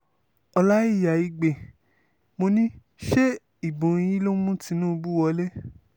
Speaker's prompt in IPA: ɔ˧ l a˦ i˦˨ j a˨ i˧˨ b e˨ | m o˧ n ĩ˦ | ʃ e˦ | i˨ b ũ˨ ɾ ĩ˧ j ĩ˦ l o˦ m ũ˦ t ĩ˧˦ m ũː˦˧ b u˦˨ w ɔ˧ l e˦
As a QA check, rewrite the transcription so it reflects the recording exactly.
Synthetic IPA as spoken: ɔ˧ l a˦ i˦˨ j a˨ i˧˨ ɡ͡b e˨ | m o˧ n ĩ˦ | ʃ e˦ | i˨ b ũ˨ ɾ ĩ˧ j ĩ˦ l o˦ m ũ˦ t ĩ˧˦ n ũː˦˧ b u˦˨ w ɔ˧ l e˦

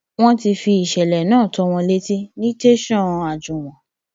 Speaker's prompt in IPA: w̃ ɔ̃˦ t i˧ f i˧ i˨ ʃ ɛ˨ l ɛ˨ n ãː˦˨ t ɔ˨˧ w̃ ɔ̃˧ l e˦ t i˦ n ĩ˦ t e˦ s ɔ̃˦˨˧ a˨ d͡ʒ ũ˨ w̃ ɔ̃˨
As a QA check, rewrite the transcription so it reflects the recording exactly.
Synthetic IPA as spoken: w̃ ɔ̃˦ t i˧ f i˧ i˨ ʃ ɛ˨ l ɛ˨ n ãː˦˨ t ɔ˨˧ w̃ ɔ̃˧ l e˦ t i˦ n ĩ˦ t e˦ ʃ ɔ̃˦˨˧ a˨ d͡ʒ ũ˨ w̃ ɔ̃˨

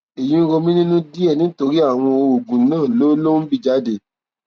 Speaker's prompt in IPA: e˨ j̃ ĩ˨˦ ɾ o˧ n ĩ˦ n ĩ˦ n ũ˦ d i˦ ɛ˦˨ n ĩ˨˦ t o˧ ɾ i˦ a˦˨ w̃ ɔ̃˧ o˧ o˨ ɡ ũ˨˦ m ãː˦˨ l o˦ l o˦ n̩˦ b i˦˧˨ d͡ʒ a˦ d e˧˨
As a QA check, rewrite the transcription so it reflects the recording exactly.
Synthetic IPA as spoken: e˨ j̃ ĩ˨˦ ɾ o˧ m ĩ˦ n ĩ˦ n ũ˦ d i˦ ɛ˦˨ n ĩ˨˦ t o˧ ɾ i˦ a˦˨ w̃ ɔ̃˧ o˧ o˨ ɡ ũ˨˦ n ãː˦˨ l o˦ l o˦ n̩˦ b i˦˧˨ d͡ʒ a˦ d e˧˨

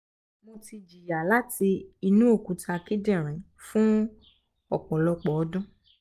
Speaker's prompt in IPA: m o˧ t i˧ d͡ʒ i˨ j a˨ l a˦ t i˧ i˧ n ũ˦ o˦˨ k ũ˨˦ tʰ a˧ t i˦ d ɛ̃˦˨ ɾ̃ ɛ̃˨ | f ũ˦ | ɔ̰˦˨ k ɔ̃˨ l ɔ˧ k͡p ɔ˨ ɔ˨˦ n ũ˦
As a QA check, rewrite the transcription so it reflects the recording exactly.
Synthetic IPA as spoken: m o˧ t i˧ d͡ʒ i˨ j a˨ l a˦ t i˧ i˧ n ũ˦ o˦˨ k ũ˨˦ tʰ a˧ k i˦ d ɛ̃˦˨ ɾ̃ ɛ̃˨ | f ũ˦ | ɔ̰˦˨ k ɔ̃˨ l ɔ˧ k͡p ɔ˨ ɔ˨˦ d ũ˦

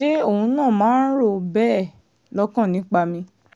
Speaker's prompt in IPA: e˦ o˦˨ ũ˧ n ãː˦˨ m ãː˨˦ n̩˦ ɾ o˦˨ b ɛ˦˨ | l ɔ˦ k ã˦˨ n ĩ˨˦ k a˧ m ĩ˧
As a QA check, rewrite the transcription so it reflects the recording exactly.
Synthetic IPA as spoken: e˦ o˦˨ ũ˧ n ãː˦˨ m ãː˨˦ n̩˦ ɾ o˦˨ b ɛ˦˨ | l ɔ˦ k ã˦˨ n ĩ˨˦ k͡p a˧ m ĩ˧

